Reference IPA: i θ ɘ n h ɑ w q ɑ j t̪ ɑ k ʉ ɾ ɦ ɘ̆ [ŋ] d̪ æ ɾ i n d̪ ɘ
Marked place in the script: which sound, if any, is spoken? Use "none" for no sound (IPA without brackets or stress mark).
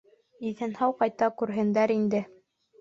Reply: n